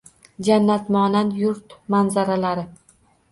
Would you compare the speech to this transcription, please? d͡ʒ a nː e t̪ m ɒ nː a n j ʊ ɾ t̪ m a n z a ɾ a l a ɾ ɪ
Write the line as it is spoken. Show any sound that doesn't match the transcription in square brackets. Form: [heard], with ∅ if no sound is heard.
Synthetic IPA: d͡ʒ a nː [a] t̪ m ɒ [n] a n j ʊ ɾ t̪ m a n z a ɾ a l a ɾ ɪ